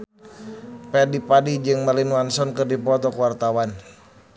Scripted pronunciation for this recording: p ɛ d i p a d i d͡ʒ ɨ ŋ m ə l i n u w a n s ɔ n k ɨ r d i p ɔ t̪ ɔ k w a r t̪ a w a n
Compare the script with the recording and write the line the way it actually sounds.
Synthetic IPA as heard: p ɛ d i p a d i d͡ʒ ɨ ŋ m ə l i n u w a n s ɔ n k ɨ r d i p ɔ t̪ ɔ k w a r t̪ a w a n